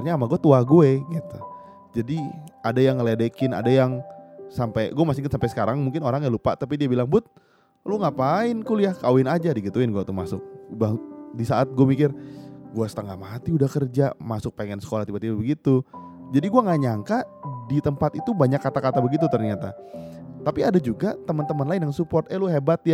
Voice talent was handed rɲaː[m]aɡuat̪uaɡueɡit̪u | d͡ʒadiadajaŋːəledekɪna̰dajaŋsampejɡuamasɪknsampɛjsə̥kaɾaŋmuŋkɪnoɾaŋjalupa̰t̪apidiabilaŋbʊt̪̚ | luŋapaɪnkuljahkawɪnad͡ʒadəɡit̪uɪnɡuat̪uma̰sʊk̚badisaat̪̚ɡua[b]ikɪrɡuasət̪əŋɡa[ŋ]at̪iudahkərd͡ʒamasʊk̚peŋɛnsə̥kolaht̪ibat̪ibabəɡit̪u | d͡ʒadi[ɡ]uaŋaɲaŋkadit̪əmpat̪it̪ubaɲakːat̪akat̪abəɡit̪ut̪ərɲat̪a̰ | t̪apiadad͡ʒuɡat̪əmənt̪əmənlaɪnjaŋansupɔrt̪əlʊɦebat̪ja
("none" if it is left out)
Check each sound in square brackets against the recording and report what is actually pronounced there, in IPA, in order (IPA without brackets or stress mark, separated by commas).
m, m, m, ɡ